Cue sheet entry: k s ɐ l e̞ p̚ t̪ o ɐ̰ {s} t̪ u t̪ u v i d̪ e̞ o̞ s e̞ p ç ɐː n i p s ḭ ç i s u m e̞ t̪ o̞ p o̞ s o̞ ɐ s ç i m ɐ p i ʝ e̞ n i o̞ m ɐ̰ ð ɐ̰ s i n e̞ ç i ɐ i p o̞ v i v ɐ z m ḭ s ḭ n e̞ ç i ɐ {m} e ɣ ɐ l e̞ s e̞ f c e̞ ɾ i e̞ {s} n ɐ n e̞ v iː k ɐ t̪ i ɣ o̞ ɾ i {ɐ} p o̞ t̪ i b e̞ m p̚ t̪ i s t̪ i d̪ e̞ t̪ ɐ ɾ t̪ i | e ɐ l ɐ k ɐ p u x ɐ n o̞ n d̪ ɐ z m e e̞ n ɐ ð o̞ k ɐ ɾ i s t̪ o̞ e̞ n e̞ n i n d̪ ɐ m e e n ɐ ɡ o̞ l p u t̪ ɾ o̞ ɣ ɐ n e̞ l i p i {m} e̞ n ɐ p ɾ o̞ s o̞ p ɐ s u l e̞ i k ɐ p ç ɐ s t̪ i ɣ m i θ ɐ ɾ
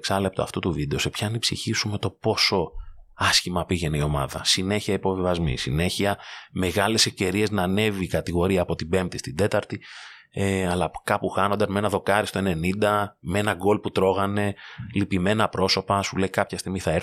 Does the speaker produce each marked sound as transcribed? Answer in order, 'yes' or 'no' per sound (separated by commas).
no, yes, no, no, yes